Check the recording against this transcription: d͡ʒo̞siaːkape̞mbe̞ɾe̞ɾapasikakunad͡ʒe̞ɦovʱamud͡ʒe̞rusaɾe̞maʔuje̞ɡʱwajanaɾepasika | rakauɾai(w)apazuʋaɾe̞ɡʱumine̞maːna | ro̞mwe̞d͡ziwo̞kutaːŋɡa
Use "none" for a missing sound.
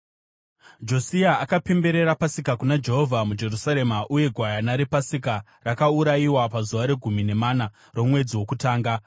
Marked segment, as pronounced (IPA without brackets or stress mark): w